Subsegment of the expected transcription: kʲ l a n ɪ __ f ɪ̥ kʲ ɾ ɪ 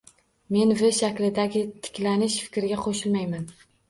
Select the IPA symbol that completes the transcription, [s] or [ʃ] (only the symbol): ʃ